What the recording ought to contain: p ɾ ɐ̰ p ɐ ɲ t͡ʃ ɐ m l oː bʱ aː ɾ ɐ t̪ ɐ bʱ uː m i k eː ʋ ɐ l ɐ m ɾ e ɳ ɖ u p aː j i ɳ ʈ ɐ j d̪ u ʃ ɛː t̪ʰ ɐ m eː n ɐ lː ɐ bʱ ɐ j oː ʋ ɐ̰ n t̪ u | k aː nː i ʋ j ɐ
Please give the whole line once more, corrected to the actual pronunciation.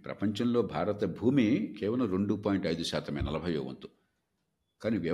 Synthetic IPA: p ɾ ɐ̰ p ɐ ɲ t͡ʃ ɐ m l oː bʱ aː ɾ ɐ t̪ ɐ bʱ uː m i k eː ʋ ɐ l ɐ m ɾ e ɳ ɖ u p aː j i ɳ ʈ ɐ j d̪ u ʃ aː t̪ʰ ɐ m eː n ɐ l ɐ bʱ ɐ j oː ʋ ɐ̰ n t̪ u | k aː n i ʋ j ɐ